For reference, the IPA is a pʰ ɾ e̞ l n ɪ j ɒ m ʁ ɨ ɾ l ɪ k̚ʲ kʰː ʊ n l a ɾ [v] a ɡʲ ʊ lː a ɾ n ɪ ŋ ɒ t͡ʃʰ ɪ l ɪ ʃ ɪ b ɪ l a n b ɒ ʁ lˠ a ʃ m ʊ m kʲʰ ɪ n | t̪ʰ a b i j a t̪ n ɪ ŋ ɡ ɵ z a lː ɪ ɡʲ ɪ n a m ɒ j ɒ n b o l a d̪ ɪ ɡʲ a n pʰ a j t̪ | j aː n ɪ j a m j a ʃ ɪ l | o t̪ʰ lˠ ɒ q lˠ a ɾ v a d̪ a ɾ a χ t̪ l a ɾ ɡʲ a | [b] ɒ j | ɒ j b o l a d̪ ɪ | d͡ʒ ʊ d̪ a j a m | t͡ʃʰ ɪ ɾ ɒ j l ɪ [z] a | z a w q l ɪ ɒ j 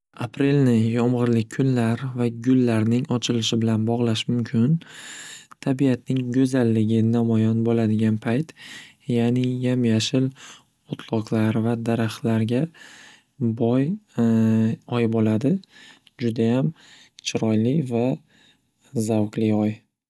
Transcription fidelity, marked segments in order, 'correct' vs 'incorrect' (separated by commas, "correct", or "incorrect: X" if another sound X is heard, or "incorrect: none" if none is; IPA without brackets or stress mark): correct, correct, incorrect: v